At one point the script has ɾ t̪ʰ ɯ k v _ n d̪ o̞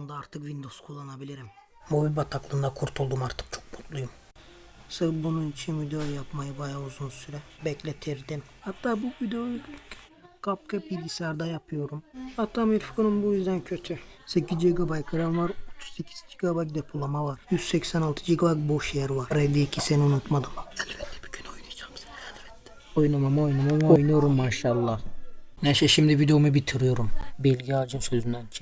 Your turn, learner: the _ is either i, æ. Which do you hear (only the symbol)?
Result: i